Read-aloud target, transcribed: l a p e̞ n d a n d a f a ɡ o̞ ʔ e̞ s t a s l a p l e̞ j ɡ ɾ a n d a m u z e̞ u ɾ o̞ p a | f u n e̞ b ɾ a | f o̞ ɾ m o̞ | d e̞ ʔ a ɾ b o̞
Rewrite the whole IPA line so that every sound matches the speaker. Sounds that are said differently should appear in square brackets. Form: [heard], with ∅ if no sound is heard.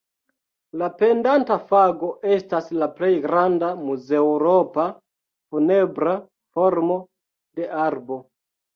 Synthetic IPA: l a p e̞ n d a n [t] a f a ɡ o̞ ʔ e̞ s t a s l a p l e̞ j ɡ ɾ a n d a m u z e̞ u ɾ o̞ p a | f u n e̞ b ɾ a | f o̞ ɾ m o̞ | d e̞ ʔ a ɾ b o̞